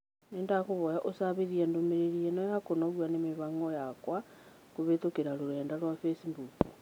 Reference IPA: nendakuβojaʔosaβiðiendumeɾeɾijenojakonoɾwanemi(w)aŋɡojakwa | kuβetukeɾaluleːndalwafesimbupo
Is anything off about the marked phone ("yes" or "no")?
yes